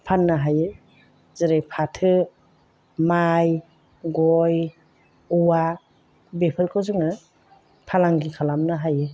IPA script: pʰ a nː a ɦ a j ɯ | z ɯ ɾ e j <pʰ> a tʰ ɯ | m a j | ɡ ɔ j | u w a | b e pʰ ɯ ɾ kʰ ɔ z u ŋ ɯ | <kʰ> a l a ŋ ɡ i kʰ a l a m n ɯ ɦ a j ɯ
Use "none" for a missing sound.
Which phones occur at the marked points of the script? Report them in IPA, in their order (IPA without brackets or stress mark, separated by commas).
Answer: pʰ, pʰ